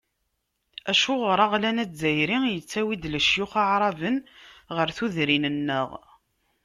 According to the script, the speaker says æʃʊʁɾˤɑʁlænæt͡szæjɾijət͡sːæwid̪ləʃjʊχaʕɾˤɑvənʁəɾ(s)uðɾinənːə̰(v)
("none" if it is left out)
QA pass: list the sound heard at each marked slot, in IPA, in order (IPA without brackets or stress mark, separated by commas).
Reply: θ, ʁ